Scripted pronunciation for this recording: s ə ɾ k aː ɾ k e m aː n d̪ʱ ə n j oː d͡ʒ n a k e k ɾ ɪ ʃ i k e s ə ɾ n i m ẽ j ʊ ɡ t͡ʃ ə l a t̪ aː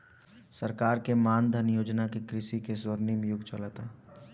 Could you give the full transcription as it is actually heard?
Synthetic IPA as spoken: s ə ɾ k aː ɾ k e m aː n d̪ʱ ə n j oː d͡ʒ n a k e k ɾ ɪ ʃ i k e s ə ɾ n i m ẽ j ʊ ɡ t͡ʃ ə l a t̪ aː